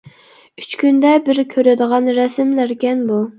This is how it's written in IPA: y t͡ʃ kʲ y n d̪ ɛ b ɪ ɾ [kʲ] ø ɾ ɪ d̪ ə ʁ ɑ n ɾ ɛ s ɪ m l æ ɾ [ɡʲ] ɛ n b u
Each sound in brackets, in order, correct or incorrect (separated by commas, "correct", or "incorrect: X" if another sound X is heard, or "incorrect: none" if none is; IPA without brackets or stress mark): incorrect: kʲʰ, incorrect: kʲ